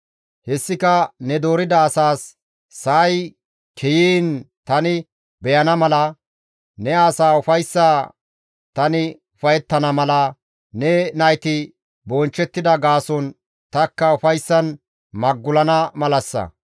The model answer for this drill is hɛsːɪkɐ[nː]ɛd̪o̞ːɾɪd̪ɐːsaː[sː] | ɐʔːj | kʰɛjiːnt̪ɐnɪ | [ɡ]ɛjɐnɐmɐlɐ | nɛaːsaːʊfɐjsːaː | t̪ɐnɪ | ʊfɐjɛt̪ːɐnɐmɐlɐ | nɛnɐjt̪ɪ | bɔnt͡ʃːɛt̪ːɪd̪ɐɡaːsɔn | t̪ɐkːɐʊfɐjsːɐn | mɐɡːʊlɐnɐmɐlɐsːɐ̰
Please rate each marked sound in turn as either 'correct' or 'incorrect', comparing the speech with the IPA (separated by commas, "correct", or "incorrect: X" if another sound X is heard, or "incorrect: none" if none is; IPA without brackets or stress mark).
incorrect: n, correct, incorrect: b